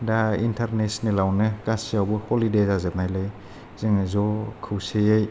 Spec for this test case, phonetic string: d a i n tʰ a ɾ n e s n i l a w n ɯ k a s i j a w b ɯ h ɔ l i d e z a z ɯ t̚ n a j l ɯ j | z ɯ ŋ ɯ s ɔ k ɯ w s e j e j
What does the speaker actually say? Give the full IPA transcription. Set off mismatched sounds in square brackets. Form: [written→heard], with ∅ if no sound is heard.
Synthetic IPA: d a i n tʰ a ɾ n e s n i l a w n ɯ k a s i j a w b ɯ h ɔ l i d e z a z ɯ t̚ n a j l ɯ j | z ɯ ŋ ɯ [s→z] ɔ [k→kʰ] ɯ w s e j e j